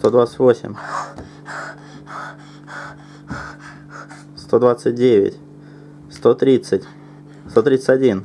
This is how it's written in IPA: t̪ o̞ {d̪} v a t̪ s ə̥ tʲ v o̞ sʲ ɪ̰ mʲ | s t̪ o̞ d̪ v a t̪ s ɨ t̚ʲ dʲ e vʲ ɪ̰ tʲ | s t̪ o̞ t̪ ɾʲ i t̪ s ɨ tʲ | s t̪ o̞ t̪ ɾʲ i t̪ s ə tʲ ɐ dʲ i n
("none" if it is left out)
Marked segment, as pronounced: d̪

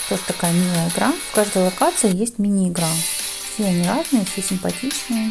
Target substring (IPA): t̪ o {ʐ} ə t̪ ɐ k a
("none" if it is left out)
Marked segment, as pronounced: ʐ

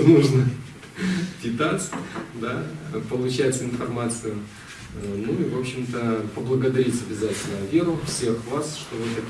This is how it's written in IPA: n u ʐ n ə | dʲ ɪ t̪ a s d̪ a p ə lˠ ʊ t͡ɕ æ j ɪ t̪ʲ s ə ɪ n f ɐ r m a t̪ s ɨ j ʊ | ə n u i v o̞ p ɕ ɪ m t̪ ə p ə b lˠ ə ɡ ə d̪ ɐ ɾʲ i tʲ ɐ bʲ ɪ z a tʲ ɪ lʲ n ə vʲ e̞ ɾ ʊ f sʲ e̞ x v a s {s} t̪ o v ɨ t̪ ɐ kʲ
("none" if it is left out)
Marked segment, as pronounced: ʂ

